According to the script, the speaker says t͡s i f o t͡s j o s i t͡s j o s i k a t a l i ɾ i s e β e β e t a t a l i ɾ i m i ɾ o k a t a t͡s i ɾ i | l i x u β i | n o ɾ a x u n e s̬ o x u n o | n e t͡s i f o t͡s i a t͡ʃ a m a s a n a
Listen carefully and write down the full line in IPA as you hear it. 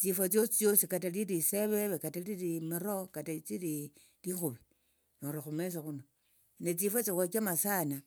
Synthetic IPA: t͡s i f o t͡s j o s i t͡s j o s i k a t a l i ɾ i s e β e β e k a t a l i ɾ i m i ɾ o k a t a t͡s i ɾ i | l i x u β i | n o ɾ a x u m e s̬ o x u n o | n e t͡s i f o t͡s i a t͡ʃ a m a s a n a